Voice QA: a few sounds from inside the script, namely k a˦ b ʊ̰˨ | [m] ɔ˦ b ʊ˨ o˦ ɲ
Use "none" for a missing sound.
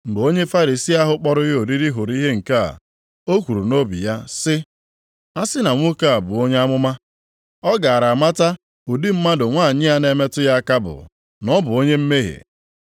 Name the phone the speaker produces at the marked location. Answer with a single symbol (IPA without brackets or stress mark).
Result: n